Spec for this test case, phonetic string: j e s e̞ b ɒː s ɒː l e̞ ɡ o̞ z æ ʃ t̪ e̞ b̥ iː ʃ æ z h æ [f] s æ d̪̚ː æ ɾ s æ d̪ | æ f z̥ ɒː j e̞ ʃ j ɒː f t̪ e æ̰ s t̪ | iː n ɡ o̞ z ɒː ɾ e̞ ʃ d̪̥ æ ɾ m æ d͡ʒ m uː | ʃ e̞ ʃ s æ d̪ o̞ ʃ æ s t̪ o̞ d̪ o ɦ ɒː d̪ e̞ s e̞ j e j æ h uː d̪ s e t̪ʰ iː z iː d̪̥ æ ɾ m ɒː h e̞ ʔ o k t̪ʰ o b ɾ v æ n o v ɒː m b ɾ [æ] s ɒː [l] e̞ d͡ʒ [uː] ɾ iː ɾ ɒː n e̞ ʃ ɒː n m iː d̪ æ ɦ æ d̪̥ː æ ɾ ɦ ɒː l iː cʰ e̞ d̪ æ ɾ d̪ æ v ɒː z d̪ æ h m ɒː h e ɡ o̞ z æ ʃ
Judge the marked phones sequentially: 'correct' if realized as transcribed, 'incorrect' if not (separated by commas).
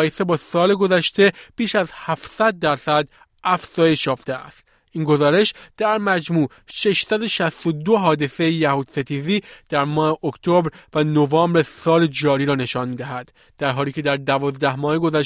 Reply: correct, incorrect, correct, incorrect